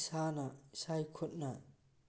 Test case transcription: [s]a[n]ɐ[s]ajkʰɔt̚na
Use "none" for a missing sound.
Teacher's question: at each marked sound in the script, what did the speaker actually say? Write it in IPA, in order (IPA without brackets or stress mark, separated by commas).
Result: s, n, s